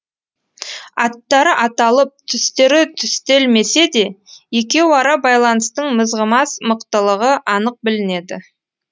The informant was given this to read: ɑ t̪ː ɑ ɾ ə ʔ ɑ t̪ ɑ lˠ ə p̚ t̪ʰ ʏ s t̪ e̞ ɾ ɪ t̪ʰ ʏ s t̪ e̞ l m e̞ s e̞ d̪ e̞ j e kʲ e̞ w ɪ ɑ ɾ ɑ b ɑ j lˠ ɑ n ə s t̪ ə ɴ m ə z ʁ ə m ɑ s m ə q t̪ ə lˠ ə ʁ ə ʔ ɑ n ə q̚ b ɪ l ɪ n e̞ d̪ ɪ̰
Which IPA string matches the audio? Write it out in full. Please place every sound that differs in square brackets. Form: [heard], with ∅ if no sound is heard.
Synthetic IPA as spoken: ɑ t̪ː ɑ ɾ ə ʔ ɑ t̪ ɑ lˠ ə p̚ t̪ʰ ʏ s t̪ e̞ ɾ ɪ t̪ʰ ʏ s t̪ e̞ l m e̞ s e̞ d̪ e̞ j e kʲ e̞ w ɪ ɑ ɾ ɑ b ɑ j lˠ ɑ n ə s t̪ ə ɴ m ə z ʁ ə m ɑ s m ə q t̪ ə lˠ ə ʁ ə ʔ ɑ n ə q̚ b ɪ l ɪ n e̞ d̪ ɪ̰